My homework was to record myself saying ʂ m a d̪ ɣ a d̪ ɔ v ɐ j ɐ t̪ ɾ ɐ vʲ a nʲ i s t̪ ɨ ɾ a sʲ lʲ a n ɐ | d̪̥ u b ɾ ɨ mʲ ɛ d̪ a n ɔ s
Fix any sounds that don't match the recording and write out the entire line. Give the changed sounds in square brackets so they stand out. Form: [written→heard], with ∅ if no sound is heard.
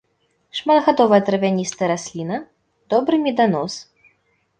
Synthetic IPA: ʂ m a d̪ ɣ a d̪ ɔ v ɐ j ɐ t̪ ɾ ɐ vʲ a nʲ i s t̪ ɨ ɾ a sʲ lʲ [a→i] n ɐ | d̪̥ [u→ɔ] b ɾ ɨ mʲ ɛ d̪ a n ɔ s